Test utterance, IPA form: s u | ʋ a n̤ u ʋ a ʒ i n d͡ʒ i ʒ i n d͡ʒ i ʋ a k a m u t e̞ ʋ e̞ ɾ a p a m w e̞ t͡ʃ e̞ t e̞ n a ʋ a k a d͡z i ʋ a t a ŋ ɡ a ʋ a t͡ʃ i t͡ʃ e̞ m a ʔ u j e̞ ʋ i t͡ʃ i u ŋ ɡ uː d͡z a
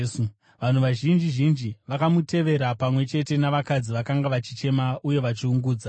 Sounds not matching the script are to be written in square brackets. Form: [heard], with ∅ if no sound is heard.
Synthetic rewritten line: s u | ʋ a n̤ u ʋ a ʒ i n d͡ʒ i ʒ i n d͡ʒ i ʋ a k a m u t e̞ ʋ e̞ ɾ a p a m w e̞ t͡ʃ e̞ t e̞ n a ʋ a k a d͡z i ʋ a [k] a ŋ ɡ a ʋ a t͡ʃ i t͡ʃ e̞ m a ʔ u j e̞ ʋ [a] t͡ʃ i u ŋ ɡ uː d͡z a